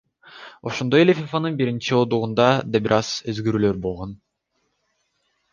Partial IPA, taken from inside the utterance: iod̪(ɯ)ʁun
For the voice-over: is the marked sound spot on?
no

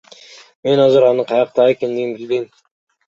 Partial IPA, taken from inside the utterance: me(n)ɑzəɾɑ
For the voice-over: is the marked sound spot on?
yes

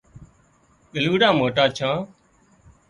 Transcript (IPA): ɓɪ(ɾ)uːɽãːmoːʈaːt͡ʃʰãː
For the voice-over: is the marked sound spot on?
no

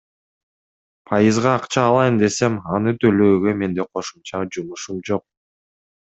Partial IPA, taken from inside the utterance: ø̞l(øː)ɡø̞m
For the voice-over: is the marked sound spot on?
yes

